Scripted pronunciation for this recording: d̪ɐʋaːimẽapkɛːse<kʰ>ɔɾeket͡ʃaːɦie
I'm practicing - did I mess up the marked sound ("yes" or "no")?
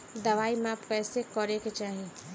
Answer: yes